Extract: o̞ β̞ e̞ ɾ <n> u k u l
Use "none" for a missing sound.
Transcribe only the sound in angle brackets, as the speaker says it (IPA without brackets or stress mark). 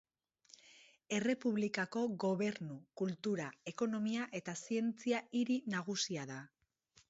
n